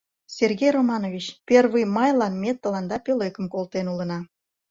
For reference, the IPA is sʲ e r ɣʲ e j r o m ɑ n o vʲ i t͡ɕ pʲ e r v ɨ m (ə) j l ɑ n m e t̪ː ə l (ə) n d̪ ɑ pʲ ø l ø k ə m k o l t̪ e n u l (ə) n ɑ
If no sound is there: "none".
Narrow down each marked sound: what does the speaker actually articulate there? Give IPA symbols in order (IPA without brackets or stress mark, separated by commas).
ɑ, ɑ, ə